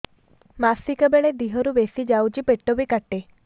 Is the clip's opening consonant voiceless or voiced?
voiced